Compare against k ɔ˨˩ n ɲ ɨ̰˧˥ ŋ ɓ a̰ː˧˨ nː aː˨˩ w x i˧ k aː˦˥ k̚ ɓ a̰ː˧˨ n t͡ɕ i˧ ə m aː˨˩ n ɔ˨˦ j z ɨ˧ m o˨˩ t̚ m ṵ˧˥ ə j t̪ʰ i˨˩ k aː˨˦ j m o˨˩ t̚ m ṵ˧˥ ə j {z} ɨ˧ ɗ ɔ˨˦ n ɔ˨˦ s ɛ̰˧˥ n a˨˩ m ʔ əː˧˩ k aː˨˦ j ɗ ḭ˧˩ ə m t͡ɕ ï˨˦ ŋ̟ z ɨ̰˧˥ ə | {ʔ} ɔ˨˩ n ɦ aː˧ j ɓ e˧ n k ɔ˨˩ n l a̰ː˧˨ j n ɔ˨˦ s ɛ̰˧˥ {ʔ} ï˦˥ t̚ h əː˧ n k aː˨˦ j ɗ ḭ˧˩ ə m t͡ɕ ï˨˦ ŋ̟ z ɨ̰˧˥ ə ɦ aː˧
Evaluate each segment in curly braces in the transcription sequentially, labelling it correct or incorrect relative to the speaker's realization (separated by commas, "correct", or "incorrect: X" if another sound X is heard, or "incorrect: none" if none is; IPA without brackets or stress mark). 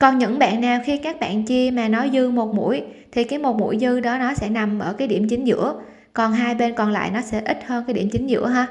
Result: correct, incorrect: k, correct